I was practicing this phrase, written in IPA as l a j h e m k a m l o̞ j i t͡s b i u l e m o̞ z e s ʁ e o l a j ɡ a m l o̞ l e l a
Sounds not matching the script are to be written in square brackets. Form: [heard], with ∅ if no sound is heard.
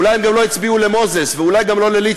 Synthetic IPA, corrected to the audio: l a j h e m [ɡ] a m l o̞ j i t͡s b i u l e m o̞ z e s [v] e [u] l a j ɡ a m l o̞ l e l [i]